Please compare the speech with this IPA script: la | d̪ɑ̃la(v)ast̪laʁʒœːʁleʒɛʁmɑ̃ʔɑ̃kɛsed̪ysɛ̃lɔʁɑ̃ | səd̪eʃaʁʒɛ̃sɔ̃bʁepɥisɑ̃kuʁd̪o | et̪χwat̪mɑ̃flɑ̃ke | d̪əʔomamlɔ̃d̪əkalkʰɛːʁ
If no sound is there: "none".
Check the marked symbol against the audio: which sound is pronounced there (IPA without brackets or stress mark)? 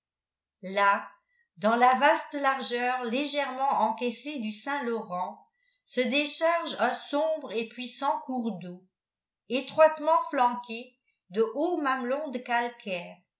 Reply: v